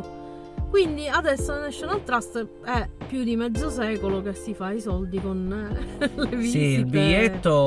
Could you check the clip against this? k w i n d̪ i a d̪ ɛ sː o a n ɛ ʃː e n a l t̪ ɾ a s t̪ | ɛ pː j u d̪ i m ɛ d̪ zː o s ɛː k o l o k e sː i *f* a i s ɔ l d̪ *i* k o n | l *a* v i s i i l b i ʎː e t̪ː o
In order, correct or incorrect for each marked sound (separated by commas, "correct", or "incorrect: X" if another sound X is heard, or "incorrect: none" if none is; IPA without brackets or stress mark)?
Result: correct, correct, incorrect: e